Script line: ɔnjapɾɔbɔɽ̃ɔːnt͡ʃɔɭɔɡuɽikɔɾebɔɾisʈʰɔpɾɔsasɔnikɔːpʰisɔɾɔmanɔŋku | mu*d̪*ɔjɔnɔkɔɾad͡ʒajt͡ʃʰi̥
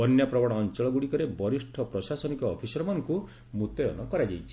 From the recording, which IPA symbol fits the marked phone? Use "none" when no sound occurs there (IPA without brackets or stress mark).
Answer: t̪